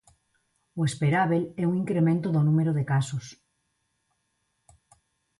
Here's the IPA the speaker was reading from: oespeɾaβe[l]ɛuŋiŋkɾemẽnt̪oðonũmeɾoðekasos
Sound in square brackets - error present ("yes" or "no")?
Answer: no